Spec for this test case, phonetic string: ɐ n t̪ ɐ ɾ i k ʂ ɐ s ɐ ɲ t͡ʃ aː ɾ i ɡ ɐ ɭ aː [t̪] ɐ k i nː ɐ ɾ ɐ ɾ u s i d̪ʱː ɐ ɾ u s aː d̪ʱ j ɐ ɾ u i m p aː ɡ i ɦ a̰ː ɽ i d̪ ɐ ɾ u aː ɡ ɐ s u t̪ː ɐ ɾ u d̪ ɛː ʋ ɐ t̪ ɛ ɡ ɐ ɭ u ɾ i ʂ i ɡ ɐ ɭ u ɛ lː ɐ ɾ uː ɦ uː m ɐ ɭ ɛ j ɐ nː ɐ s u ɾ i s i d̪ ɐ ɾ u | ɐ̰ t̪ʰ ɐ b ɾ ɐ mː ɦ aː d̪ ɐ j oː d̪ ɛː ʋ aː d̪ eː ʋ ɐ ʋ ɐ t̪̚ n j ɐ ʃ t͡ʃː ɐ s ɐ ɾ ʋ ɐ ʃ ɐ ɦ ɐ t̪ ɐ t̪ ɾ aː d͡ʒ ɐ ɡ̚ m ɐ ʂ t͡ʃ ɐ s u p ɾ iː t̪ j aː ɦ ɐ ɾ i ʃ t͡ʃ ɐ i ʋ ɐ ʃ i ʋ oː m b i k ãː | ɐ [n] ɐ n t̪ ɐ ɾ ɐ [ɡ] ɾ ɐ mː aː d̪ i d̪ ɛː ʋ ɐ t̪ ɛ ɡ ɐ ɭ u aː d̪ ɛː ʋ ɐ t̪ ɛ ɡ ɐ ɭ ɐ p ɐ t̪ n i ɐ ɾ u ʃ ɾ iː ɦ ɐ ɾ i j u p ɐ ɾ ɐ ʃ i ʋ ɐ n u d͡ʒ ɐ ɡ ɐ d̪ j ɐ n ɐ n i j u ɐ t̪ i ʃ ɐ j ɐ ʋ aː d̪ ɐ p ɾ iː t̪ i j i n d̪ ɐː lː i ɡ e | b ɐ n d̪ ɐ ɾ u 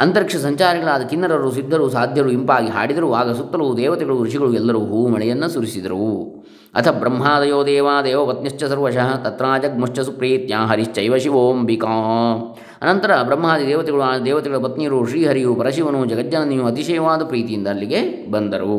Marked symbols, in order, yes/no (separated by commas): no, yes, no